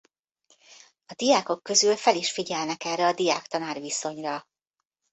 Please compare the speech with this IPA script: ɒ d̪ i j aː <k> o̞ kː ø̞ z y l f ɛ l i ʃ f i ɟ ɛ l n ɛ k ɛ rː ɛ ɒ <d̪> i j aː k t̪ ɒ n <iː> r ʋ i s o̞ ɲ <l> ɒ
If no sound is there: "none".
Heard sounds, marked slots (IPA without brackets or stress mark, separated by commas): k, d̪, aː, r